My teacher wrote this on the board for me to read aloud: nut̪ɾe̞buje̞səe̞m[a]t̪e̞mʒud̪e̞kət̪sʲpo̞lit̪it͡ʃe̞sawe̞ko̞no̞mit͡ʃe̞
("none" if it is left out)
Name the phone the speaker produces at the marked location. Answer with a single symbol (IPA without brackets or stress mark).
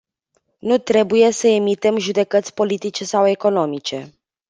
i